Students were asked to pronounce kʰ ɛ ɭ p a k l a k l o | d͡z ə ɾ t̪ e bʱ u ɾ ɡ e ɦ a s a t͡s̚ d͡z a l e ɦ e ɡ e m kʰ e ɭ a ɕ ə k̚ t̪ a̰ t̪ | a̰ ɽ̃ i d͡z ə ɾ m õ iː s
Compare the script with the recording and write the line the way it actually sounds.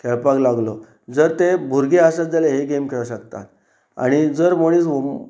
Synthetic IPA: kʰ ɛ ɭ p a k l a ɡ l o | d͡z ə ɾ t̪ e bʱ u ɾ ɡ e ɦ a s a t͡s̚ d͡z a l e ɦ e ɡ e m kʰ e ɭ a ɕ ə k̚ t̪ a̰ t̪ | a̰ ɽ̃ i d͡z ə ɾ m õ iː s